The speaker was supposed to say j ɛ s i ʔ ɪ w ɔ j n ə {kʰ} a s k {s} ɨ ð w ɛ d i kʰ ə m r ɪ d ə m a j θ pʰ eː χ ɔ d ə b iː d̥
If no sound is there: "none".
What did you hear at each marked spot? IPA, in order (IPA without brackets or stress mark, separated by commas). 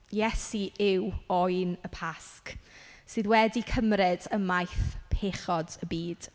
pʰ, s